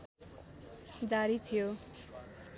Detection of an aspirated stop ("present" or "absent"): present